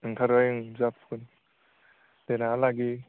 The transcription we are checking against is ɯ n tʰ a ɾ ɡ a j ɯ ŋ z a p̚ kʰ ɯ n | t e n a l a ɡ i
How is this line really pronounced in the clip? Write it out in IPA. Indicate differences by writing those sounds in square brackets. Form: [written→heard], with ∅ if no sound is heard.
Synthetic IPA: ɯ [n→ŋ] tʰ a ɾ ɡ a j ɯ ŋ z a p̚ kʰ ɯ n | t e n a l a ɡ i

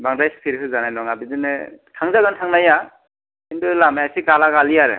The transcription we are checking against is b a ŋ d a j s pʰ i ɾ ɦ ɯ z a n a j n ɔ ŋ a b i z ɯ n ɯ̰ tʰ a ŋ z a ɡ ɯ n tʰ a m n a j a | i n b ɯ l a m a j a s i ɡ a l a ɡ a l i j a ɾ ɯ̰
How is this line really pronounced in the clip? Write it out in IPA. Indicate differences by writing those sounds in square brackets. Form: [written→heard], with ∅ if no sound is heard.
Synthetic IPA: b a ŋ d a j s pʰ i ɾ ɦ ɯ z a n a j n ɔ ŋ a b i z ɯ n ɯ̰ tʰ a ŋ z a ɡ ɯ n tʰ a [m→ŋ] n a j a | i n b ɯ l a m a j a s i ɡ a l a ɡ a l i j a ɾ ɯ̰

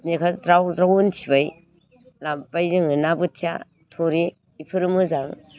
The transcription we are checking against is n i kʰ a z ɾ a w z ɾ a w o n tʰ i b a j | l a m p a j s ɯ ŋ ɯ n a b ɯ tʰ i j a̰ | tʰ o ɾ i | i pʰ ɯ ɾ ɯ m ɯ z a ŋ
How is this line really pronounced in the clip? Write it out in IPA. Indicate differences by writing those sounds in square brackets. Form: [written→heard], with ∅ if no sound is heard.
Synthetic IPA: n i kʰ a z ɾ a w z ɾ a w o n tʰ i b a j | l a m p a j [s→z] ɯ ŋ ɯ n a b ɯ tʰ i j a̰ | tʰ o ɾ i | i pʰ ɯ ɾ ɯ m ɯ z a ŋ

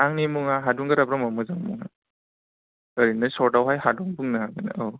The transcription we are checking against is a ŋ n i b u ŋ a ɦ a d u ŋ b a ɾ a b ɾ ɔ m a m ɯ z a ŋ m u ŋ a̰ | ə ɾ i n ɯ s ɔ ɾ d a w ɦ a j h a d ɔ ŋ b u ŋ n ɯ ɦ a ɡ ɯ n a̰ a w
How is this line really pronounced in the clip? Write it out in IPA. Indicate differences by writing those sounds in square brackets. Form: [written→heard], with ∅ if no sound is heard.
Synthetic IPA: a ŋ n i [b→m] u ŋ a ɦ a d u ŋ [b→ɡ] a ɾ a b ɾ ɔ m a m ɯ z a ŋ m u ŋ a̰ | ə ɾ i n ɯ s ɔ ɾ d a w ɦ a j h a d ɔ ŋ b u ŋ n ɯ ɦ a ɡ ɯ n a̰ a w

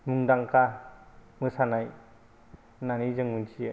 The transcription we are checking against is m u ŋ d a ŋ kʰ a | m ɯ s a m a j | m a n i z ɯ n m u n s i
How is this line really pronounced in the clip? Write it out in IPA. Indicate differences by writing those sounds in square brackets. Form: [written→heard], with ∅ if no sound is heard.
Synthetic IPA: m u ŋ d a ŋ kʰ a | m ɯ s a [m→n] a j | [m→n] a n i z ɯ [n→ŋ] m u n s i

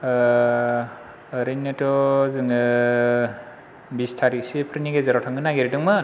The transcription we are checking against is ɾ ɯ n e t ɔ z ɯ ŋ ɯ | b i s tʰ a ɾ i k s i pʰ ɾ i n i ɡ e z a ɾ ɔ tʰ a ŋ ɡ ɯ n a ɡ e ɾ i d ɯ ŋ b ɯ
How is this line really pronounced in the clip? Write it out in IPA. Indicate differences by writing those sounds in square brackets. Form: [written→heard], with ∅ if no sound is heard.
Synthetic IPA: ɾ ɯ n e t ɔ z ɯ ŋ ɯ | b i s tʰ a ɾ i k s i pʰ ɾ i n i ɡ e z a ɾ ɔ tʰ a ŋ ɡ ɯ n a ɡ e ɾ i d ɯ ŋ [b→m] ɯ

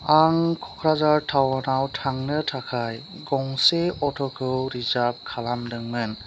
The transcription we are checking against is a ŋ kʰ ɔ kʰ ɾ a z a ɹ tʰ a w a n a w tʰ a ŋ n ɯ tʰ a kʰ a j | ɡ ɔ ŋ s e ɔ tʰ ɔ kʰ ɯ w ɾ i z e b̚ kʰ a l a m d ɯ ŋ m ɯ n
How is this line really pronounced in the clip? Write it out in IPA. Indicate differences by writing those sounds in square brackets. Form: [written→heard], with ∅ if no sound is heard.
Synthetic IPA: a ŋ kʰ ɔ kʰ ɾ a z a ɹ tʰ a w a n a w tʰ a ŋ n ɯ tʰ a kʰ a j | ɡ ɔ ŋ s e ɔ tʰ ɔ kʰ ɯ w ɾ i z [e→a] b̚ kʰ a l a m d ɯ ŋ m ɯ n

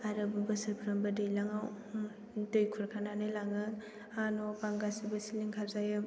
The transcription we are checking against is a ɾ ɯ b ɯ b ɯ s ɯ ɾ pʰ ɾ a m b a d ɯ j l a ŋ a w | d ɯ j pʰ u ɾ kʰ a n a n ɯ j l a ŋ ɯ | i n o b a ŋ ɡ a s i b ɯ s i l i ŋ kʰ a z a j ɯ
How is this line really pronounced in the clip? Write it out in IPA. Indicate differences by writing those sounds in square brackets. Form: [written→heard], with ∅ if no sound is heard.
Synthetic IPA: a ɾ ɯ b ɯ b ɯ s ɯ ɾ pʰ ɾ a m b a d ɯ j l a ŋ a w | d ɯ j [pʰ→kʰ] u ɾ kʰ a n a n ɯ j l a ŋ ɯ | [i→a] n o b a ŋ ɡ a s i b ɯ s i l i ŋ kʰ a z a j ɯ

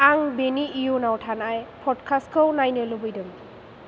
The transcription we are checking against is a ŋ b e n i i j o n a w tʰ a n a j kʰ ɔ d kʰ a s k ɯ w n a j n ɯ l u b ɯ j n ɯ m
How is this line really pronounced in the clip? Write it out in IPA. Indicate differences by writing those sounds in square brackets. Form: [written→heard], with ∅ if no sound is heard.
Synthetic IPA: a ŋ b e n i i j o n a w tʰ a n a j [kʰ→pʰ] ɔ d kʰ a s k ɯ w n a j n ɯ l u b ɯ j [n→d] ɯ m

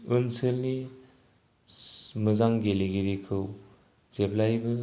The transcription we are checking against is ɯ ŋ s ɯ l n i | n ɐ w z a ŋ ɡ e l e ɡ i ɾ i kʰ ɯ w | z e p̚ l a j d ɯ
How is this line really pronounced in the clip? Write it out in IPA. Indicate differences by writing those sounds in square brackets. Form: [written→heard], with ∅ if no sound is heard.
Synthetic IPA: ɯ [ŋ→n] s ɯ l n i | [n→m] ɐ [w→∅] z a ŋ ɡ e l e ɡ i ɾ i kʰ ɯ w | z e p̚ l a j [d→b] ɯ

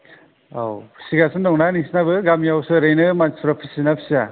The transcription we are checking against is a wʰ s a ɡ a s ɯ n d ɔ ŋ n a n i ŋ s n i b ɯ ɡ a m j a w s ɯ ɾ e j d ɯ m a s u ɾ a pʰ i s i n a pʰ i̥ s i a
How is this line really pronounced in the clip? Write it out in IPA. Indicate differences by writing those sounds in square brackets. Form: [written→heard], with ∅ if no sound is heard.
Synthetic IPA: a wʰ s [a→i] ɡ a s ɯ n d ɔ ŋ n a n i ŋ s n [i→a] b ɯ ɡ a m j a w s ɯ ɾ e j [d→n] ɯ m a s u ɾ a pʰ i s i n a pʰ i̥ s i a

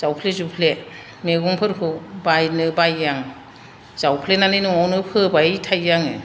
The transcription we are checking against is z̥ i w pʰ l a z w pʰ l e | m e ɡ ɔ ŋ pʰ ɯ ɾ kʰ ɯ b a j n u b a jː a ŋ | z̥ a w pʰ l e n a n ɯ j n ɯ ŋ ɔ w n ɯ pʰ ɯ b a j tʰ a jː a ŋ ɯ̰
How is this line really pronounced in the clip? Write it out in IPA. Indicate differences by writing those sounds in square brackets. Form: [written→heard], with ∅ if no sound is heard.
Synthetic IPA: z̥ [i→a] w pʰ l [a→e] z [w→u] pʰ l e | m e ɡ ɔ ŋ pʰ ɯ ɾ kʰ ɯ b a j n [u→ɯ] b a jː a ŋ | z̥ a w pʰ l e n a n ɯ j n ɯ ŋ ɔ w n ɯ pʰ ɯ b a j tʰ a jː a ŋ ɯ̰

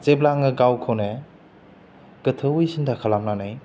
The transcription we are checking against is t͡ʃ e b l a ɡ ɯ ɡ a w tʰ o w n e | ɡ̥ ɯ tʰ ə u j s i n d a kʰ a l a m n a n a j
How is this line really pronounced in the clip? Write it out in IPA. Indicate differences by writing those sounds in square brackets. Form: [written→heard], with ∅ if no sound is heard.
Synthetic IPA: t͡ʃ e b l a [ɡ→ŋ] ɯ ɡ a w [tʰ→kʰ] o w n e | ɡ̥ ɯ tʰ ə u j s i n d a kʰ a l a m n a n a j

